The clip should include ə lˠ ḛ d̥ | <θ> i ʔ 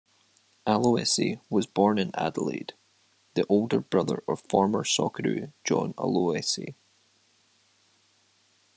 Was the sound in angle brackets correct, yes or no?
no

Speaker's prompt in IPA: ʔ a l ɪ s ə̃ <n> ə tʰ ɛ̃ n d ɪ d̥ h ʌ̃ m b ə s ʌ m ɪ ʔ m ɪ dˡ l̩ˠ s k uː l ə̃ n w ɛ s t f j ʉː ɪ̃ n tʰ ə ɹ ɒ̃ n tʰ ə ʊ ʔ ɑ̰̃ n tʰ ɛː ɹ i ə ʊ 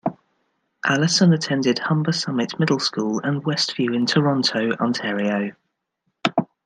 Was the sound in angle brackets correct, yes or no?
yes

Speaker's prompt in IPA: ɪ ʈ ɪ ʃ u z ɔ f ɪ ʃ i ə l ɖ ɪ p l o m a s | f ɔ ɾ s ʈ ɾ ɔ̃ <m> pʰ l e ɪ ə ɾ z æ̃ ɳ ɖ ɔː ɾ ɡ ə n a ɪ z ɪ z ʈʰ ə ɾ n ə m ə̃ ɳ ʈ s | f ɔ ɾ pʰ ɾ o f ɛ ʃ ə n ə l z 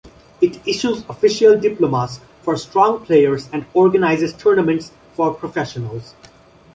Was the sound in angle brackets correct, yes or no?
no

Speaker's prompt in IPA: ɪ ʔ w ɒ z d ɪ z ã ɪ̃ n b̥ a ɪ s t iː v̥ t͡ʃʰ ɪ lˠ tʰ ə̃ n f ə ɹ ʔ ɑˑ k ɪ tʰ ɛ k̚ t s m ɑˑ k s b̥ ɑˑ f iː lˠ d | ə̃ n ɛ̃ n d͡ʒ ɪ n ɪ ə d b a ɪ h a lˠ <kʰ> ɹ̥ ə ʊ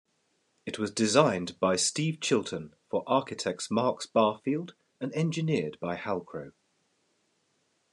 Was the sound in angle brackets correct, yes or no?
yes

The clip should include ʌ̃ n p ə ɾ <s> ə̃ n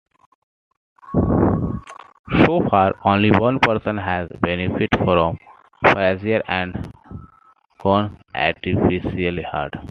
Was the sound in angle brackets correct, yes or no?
yes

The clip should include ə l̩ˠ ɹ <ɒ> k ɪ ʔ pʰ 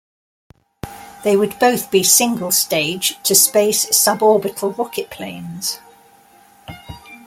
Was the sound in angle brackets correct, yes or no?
yes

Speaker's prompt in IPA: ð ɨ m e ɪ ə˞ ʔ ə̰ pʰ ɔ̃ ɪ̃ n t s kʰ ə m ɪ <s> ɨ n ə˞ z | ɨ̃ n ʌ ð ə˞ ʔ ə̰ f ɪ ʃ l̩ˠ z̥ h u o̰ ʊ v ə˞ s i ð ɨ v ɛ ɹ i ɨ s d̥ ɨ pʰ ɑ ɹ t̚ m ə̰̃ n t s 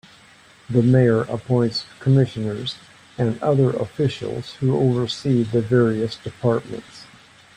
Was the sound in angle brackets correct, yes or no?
no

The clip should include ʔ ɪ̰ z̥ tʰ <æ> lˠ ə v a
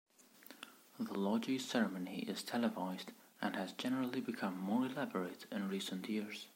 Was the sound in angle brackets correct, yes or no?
no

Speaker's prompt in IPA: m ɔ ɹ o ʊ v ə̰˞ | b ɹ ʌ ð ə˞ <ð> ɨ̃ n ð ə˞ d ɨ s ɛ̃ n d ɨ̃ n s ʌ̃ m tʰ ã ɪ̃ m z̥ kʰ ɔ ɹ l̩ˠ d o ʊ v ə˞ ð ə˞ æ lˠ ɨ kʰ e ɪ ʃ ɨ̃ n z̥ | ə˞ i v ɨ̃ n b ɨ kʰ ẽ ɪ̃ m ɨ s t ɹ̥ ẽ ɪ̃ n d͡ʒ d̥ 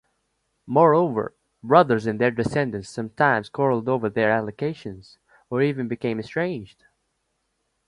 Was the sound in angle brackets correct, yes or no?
no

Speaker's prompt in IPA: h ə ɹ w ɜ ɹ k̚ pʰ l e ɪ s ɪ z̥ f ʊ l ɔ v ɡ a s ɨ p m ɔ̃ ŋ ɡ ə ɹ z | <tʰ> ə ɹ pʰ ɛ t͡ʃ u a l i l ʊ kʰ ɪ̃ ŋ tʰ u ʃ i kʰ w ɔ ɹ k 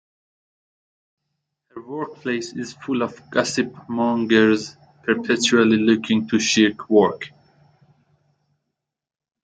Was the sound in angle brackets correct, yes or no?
no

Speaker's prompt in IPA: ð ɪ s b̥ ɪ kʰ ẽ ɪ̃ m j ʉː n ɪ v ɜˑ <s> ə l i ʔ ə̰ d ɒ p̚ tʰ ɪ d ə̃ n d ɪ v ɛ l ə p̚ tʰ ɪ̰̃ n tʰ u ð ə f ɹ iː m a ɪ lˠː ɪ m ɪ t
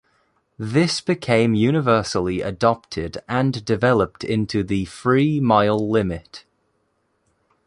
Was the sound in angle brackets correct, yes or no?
yes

